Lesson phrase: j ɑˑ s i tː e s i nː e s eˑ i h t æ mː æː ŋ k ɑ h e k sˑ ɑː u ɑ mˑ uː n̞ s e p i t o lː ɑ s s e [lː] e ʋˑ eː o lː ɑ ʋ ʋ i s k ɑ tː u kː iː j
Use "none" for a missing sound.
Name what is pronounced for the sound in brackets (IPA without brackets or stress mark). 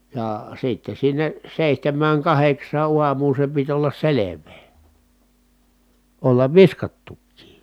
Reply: l